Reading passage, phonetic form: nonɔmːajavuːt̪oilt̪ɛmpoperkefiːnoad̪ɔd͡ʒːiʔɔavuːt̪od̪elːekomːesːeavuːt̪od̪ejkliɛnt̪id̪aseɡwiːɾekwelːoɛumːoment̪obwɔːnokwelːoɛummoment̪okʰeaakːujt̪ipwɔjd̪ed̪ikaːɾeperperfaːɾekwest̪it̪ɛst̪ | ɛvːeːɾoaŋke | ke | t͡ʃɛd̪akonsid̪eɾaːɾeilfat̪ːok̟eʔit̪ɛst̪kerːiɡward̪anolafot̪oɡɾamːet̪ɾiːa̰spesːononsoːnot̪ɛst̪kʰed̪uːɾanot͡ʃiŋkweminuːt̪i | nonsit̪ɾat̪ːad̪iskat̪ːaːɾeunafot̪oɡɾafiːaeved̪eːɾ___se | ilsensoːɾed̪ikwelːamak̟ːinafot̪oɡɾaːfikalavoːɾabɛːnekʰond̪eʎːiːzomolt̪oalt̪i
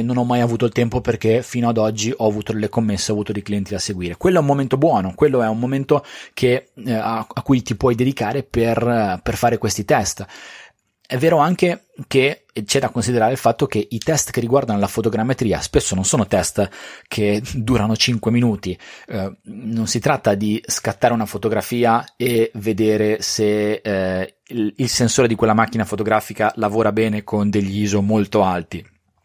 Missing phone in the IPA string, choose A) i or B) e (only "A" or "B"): B